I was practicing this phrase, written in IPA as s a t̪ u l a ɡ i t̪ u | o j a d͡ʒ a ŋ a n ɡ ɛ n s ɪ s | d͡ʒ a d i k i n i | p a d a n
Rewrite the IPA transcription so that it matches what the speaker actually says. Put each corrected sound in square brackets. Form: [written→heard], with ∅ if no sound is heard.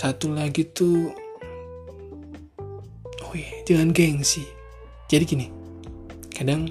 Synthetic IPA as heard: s a t̪ u l a ɡ i t̪ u | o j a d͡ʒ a ŋ a n ɡ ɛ [n→ŋ] s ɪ [s→h] | d͡ʒ a d i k i n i | [p→k] a d a [n→ŋ]